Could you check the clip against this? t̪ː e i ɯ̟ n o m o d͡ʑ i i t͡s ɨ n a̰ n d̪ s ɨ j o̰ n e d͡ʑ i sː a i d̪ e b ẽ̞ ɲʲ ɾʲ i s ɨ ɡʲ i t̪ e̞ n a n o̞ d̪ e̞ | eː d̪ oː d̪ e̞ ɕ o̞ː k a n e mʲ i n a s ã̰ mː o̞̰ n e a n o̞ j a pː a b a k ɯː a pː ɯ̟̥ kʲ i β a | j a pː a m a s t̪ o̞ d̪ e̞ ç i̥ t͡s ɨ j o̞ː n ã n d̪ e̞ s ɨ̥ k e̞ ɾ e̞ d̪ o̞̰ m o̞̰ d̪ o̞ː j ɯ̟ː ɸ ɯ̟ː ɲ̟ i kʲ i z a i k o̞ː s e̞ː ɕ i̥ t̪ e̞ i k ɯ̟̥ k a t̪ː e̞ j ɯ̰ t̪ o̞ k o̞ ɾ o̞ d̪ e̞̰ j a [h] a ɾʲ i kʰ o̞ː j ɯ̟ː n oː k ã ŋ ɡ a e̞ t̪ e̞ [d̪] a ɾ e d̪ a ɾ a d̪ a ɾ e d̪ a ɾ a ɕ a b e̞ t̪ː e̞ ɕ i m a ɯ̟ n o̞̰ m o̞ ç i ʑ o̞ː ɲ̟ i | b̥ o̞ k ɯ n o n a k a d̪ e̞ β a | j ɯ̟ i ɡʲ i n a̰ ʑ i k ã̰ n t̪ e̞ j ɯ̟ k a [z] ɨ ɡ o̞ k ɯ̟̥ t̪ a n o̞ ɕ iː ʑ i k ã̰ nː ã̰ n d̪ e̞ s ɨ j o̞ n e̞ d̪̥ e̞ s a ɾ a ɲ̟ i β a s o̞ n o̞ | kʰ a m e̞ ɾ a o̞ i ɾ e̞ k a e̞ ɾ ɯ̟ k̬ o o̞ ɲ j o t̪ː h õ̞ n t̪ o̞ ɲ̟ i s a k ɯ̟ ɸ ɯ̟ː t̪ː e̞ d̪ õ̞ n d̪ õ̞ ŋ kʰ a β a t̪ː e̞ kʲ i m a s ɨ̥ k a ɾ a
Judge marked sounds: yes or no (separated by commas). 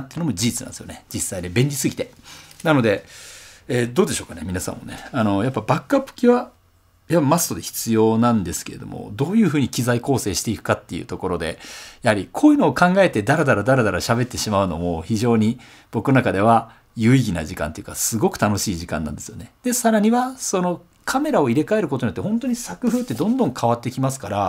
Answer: yes, yes, no